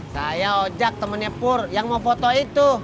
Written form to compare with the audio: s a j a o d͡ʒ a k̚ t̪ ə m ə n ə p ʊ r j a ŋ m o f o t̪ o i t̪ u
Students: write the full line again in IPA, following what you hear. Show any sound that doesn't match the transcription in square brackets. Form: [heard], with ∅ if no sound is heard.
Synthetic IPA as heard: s a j a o d͡ʒ a k̚ t̪ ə m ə n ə p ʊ r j a ŋ m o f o t̪ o i t̪ u